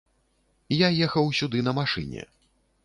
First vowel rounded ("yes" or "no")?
no